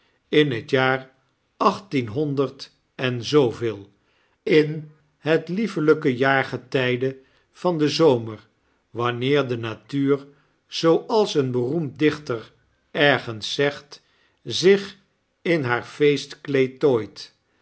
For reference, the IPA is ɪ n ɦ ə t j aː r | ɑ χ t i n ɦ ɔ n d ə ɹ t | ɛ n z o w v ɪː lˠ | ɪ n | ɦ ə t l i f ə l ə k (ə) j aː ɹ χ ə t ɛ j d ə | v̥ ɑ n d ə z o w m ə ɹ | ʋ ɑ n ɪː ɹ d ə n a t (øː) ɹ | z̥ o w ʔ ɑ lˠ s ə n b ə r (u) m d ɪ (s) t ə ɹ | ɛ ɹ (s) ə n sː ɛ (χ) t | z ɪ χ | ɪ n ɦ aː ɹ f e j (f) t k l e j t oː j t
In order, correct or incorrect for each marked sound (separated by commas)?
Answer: correct, incorrect, correct, incorrect, incorrect, correct, incorrect